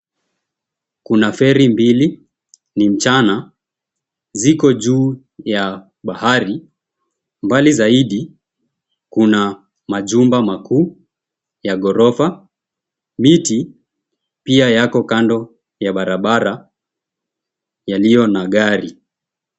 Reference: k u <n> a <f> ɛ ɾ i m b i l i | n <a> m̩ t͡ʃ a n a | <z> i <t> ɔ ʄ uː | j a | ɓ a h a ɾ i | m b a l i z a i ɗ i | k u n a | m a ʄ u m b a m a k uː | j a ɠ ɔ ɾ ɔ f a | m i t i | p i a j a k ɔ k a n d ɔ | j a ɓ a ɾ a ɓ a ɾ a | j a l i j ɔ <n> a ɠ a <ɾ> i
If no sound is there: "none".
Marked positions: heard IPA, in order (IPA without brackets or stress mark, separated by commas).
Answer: n, f, i, z, k, n, ɾ